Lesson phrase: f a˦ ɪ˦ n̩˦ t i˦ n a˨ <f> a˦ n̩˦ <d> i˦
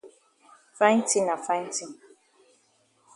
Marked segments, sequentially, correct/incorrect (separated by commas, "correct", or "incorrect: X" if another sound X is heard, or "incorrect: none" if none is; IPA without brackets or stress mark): correct, incorrect: t